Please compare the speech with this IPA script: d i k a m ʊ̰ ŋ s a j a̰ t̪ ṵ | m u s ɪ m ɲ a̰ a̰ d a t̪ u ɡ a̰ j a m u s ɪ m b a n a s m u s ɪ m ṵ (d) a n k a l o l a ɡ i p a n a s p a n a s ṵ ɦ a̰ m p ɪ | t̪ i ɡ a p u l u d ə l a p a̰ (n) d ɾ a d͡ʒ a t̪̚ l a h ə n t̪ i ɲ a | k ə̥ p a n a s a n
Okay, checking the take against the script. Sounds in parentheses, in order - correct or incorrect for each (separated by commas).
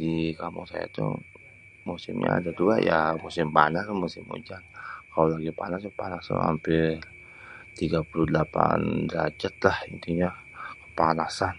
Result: incorrect, correct